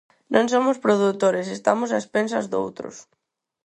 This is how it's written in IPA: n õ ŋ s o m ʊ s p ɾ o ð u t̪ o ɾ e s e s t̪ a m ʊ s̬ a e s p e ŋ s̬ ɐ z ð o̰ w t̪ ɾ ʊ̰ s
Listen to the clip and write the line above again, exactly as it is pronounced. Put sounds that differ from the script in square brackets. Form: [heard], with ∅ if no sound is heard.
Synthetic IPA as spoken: n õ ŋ s o m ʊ s p ɾ o ð u t̪ o ɾ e s e s t̪ a m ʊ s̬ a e s p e [n] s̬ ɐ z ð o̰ w t̪ ɾ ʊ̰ s